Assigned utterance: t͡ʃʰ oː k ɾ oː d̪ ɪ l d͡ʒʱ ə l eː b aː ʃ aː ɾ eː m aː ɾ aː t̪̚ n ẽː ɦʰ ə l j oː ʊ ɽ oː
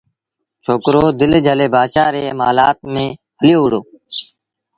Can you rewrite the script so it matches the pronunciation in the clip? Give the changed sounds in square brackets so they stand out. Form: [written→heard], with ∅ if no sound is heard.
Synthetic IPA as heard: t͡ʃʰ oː k ɾ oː d̪ ɪ l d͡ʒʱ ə l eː b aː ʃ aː ɾ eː m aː [ɾ→l] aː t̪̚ [n→m] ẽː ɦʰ ə l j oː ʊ ɽ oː